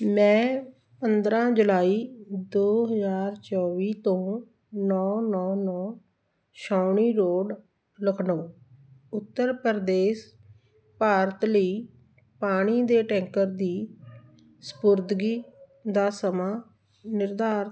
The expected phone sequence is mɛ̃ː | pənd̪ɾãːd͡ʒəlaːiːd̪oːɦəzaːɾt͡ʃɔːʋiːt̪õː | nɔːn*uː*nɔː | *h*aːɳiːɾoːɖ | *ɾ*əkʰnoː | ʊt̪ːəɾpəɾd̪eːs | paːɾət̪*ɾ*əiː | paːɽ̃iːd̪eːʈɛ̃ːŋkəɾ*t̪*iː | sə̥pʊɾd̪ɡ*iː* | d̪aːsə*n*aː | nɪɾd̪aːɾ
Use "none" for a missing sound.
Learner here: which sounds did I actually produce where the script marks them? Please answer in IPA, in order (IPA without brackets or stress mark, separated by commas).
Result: ɔː, ʃ, l, l, d̪, iː, m